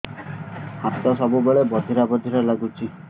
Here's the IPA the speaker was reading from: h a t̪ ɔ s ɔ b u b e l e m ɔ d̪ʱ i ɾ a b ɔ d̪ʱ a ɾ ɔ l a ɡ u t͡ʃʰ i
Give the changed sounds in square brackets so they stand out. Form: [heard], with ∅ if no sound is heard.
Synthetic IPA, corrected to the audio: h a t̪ ɔ s ɔ b u b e [ɭ] e [b] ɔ d̪ʱ i ɾ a b ɔ d̪ʱ [i] ɾ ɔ l a ɡ u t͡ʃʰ i